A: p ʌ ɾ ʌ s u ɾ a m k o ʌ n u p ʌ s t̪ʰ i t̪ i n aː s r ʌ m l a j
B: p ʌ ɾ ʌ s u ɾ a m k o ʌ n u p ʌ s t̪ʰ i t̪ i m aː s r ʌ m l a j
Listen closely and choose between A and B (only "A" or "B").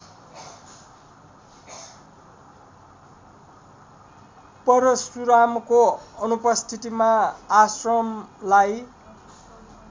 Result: B